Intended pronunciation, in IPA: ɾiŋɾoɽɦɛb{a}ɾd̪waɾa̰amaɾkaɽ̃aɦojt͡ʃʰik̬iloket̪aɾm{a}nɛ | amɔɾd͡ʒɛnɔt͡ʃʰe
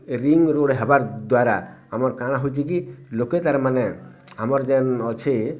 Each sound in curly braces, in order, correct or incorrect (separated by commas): correct, correct